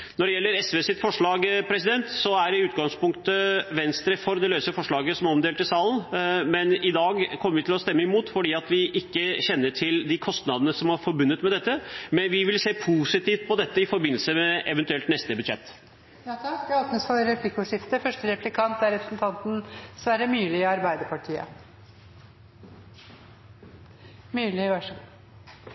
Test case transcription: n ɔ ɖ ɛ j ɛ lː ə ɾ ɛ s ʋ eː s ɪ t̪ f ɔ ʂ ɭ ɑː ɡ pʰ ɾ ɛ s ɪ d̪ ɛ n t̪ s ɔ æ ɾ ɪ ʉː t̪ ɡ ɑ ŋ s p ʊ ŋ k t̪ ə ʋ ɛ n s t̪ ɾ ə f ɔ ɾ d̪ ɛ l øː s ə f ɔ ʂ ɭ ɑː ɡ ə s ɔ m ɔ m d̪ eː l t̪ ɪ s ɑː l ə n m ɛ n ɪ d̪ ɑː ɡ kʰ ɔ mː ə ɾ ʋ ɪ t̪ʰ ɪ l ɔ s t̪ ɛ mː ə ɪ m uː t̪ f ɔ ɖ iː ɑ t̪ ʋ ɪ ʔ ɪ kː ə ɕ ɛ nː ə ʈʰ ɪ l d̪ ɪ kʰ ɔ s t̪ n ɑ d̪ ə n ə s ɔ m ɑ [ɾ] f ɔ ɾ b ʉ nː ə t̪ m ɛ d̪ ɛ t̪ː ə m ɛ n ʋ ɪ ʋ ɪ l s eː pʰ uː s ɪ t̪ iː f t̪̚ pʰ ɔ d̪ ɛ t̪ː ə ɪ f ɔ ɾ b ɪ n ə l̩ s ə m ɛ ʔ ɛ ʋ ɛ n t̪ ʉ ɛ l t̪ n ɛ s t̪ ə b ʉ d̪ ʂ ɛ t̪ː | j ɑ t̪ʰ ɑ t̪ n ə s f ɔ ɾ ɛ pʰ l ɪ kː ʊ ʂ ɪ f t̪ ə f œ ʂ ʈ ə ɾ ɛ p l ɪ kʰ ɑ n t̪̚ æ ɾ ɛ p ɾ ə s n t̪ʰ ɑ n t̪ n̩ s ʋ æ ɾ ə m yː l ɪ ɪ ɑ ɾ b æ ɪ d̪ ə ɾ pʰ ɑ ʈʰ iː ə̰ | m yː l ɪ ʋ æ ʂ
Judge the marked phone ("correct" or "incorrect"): correct